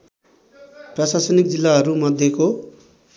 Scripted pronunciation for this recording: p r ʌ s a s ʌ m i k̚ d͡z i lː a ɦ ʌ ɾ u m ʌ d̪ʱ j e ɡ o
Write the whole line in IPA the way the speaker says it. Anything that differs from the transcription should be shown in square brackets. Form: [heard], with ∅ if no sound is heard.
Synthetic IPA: p r ʌ s a s ʌ [n] i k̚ d͡z i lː a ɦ ʌ ɾ u m ʌ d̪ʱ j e [k] o